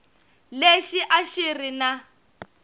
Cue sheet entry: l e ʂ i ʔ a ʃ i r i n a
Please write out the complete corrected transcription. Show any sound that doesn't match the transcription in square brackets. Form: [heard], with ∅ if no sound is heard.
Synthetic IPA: l e [ʃ] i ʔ a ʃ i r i n a